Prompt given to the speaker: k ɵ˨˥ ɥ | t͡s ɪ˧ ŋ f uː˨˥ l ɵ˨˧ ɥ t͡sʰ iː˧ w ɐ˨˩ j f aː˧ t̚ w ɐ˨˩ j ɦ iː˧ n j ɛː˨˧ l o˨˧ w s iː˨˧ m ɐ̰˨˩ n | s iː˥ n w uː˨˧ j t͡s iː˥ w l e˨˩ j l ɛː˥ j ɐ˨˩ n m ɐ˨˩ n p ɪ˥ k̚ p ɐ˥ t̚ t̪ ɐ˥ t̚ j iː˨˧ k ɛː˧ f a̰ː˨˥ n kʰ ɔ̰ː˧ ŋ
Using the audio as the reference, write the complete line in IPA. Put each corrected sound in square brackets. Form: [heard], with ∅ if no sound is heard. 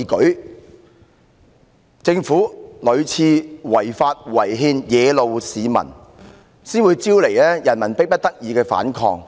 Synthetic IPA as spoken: k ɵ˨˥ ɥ | t͡s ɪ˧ ŋ f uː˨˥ l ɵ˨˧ ɥ t͡sʰ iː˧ w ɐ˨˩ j f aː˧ t̚ w ɐ˨˩ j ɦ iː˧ n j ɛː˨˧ l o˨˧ w s iː˨˧ m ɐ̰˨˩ n | s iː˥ n w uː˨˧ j t͡s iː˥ w l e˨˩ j l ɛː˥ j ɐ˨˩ n m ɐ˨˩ n p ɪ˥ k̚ p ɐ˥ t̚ t̪ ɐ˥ [k̚] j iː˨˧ k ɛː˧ f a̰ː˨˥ n kʰ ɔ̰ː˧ ŋ